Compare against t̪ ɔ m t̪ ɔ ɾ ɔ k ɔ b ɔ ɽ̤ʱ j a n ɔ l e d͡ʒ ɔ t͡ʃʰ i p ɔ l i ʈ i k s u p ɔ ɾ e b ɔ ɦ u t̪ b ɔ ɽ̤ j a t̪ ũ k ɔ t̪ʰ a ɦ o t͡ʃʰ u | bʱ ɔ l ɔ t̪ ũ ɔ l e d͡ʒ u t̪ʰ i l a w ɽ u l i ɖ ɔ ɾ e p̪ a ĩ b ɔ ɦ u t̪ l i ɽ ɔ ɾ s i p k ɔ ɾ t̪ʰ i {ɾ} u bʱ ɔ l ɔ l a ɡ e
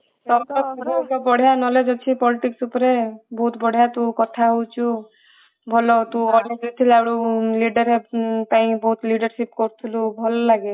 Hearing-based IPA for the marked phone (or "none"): l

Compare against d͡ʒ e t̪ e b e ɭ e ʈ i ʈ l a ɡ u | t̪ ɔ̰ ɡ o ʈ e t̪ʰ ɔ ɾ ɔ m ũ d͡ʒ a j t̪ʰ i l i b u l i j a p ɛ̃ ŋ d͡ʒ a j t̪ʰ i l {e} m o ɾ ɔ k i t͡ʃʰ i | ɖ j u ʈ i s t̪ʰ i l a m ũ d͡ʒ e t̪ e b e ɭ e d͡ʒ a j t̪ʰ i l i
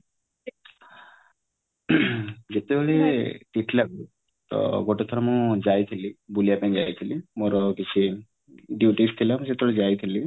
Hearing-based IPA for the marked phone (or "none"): i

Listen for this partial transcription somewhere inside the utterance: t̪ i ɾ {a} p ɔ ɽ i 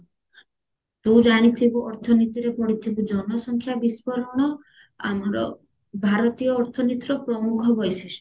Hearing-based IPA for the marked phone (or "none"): e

